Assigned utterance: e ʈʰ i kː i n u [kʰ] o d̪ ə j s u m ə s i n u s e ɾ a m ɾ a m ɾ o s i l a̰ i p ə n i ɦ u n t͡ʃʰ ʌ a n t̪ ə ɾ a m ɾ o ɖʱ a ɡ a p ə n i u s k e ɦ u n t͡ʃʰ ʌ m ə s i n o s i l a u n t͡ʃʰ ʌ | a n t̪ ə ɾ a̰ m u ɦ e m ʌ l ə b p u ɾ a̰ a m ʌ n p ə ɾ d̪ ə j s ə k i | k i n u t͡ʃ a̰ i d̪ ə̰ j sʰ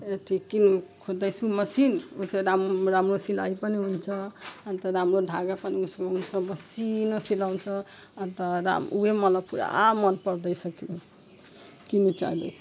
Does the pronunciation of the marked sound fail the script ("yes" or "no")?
no